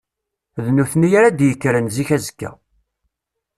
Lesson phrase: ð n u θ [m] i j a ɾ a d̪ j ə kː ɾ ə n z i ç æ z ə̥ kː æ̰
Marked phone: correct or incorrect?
incorrect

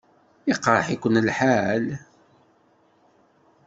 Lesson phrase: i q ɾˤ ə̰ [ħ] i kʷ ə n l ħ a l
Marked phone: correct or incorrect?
correct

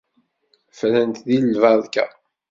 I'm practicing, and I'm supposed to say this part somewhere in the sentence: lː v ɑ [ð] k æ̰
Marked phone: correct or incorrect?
correct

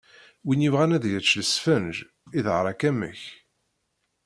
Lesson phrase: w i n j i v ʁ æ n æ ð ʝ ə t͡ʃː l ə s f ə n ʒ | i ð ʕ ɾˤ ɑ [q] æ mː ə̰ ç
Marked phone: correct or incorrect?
incorrect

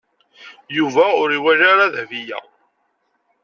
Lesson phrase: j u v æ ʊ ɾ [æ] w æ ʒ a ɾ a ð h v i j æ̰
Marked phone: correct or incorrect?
incorrect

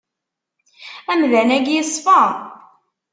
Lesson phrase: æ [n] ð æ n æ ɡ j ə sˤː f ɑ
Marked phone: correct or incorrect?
incorrect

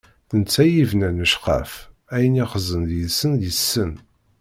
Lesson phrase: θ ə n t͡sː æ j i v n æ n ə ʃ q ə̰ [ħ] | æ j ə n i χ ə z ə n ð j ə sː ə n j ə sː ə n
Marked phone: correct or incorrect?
incorrect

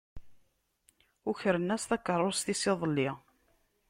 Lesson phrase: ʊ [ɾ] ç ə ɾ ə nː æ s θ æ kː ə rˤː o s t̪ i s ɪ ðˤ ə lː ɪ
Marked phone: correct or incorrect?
incorrect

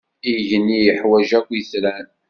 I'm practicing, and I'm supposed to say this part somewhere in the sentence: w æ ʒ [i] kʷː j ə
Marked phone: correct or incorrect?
incorrect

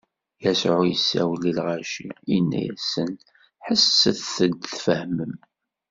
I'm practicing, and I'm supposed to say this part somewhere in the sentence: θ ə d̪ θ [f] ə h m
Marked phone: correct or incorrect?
correct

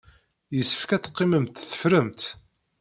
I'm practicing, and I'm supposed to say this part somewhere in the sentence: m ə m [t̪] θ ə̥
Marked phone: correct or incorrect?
correct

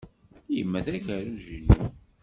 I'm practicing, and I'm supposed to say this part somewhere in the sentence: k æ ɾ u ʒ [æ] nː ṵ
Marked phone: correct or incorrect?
incorrect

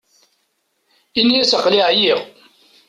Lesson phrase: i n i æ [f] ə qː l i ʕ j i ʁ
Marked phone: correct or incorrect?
incorrect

